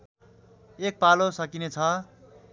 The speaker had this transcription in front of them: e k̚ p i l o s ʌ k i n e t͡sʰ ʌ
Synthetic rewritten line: e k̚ p a l o s ʌ k i n e t͡sʰ ʌ